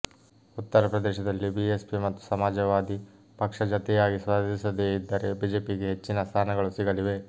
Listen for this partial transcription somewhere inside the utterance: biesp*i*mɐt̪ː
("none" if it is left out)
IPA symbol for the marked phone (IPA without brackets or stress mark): i